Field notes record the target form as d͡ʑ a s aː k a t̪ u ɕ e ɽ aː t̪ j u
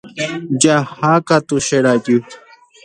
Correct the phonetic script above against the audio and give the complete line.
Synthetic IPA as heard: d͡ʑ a h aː k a t̪ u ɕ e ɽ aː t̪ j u